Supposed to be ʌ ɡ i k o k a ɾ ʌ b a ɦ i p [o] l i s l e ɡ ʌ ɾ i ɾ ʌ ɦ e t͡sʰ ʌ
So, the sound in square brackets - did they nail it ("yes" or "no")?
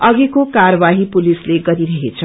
no